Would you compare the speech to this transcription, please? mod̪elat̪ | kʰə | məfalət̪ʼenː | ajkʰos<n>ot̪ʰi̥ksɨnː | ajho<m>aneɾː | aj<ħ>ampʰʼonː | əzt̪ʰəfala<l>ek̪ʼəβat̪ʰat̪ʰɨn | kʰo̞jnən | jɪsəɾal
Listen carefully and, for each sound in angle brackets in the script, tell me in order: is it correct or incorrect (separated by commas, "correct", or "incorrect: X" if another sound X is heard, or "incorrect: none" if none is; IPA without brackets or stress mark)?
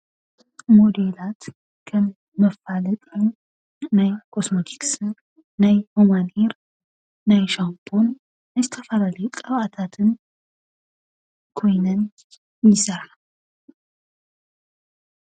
incorrect: m, correct, incorrect: ʃ, correct